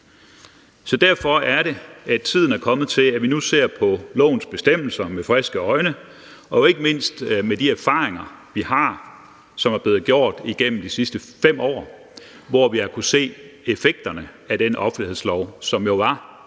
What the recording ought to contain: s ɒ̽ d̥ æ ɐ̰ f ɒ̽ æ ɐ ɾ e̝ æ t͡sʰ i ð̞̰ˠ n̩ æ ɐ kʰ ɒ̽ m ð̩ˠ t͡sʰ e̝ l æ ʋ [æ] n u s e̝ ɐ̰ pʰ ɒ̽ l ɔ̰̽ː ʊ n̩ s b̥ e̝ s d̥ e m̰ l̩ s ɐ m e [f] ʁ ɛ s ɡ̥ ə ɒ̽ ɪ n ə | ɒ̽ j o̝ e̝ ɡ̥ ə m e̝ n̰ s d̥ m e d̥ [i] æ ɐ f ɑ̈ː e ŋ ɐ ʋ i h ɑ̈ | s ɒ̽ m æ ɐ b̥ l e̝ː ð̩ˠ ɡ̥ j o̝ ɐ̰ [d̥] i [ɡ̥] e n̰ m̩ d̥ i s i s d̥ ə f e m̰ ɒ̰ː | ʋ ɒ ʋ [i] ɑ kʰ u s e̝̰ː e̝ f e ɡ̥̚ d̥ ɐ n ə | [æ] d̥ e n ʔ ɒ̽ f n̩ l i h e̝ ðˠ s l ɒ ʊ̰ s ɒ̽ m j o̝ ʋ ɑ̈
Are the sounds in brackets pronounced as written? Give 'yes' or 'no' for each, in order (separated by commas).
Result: no, yes, yes, yes, yes, yes, yes